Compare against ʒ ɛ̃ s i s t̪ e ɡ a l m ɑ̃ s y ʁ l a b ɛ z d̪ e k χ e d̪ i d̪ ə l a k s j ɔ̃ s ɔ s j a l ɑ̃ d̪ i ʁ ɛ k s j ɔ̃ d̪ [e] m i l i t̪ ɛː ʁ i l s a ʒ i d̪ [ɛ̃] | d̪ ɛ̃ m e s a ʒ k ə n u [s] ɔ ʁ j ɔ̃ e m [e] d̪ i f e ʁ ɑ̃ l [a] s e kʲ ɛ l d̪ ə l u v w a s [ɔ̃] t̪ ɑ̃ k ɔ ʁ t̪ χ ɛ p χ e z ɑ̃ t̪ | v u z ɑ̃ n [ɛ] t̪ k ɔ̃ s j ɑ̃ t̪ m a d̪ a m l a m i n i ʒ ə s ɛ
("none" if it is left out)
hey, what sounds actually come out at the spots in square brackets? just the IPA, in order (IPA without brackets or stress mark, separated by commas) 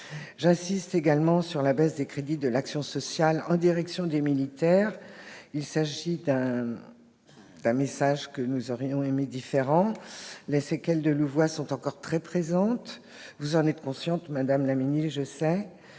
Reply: e, ɛ̃, z, e, e, ɔ̃, ɛ